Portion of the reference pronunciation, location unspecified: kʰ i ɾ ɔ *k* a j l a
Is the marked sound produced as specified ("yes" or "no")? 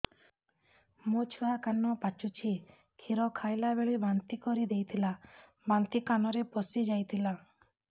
no